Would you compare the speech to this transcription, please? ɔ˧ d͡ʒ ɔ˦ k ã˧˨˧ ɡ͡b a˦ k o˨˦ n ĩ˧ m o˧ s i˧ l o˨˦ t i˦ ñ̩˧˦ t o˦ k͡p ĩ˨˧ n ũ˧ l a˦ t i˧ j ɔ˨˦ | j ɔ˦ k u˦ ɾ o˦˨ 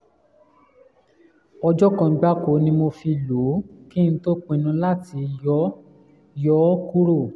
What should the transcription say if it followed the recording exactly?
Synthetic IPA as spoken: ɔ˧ d͡ʒ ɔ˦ k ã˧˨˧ ɡ͡b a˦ k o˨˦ n ĩ˧ m o˧ f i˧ l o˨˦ k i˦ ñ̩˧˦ t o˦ k͡p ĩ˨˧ n ũ˧ l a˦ t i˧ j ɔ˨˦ | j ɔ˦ k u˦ ɾ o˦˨